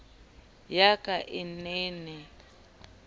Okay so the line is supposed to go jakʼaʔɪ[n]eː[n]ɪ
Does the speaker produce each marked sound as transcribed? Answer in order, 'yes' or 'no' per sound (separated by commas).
yes, yes